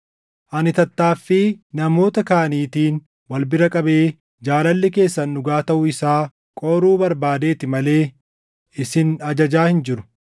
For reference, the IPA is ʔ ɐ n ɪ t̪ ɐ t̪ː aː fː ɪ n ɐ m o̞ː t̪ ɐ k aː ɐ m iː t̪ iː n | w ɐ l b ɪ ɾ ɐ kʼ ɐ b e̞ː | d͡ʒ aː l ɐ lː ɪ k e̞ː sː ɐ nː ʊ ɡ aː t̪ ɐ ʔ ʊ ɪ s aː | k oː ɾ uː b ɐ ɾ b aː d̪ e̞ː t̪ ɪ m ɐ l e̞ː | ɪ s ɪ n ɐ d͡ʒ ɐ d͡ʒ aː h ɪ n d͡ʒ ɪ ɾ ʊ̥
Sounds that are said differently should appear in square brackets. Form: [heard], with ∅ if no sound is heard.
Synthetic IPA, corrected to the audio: ʔ ɐ n ɪ t̪ ɐ t̪ː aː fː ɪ n ɐ m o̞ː t̪ ɐ k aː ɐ [n] iː t̪ iː n | w ɐ l b ɪ ɾ ɐ kʼ ɐ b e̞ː | d͡ʒ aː l ɐ lː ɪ k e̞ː sː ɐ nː ʊ ɡ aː t̪ ɐ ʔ ʊ ɪ s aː | [kʼ] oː ɾ uː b ɐ ɾ b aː d̪ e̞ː t̪ ɪ m ɐ l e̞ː | ɪ s ɪ n ɐ d͡ʒ ɐ d͡ʒ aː h ɪ n d͡ʒ ɪ ɾ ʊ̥